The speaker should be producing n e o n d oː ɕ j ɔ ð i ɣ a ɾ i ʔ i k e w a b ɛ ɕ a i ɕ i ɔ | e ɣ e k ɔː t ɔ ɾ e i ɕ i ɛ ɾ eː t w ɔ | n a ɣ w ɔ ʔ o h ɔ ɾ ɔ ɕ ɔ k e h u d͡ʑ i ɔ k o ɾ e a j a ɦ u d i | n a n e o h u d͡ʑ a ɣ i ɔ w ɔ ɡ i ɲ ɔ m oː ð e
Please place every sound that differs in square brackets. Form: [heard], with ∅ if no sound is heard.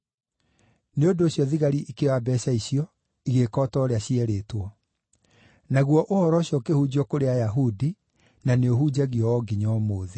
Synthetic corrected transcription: n e o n d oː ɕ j ɔ ð i ɣ a ɾ i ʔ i k e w a b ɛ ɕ a i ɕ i ɔ | [i] ɣ e k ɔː t ɔ ɾ e [a] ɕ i ɛ ɾ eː t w ɔ | n a ɣ w ɔ ʔ o h ɔ ɾ ɔ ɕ ɔ k e h u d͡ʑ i ɔ k o ɾ e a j a ɦ u d i | n a n e o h u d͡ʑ a ɣ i ɔ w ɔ ɡ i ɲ ɔ m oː ð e